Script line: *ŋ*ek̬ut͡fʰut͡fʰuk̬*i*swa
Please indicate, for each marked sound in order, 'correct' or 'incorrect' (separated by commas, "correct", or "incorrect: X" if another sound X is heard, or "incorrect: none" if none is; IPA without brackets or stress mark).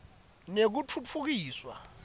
incorrect: n, incorrect: iː